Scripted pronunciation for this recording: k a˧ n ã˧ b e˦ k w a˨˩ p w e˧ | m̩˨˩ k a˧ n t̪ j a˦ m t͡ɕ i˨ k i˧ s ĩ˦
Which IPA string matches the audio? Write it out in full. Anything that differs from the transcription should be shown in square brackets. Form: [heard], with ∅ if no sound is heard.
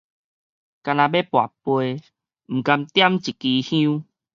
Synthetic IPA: k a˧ n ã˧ b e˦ [p] w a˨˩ p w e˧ | m̩˨˩ k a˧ [m] t̪ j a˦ m t͡ɕ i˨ k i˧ [h] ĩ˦